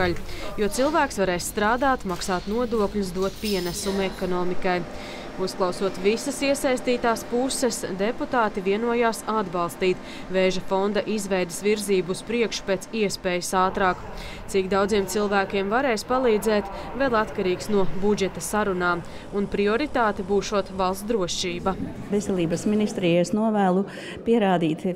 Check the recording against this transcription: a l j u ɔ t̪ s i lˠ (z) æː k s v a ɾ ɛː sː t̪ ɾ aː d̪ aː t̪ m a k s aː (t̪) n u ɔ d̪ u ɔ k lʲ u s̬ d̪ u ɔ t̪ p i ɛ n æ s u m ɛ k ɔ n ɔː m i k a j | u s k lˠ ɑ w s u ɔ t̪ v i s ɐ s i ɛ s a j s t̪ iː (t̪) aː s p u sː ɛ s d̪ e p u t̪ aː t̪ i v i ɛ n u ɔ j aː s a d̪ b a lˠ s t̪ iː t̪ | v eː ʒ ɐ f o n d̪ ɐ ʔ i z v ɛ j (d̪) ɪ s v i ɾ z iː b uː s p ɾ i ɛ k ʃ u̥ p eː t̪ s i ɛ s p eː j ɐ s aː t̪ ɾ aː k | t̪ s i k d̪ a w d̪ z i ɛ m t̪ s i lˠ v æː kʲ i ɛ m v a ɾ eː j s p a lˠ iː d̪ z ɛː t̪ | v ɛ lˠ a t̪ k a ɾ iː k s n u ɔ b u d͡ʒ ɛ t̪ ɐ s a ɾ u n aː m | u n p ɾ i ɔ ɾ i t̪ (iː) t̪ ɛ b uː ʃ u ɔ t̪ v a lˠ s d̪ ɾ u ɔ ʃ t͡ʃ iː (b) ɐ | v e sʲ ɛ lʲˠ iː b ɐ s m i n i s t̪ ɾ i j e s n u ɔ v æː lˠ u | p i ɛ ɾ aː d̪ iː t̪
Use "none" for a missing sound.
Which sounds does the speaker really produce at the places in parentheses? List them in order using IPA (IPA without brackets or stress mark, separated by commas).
v, t̪, t̪, d̪, aː, b